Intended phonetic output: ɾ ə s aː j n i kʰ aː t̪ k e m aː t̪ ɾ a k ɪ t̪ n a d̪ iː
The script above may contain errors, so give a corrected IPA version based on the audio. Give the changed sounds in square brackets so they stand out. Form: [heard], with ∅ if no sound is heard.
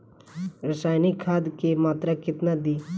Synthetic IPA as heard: ɾ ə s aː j n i kʰ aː [d̪] k e m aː t̪ ɾ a k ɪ t̪ n a d̪ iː